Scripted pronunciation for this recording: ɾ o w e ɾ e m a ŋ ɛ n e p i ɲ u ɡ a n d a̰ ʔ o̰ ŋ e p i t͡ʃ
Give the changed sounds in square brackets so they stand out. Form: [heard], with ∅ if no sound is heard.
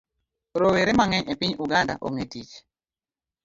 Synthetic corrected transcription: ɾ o w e ɾ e m a ŋ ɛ [ɲ] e p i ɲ u ɡ a n d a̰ ʔ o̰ ŋ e [t] i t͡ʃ